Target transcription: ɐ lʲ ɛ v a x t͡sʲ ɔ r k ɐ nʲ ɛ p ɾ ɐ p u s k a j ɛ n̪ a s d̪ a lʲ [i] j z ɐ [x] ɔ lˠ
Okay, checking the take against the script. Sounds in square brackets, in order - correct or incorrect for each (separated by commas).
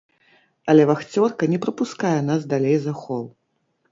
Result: incorrect, correct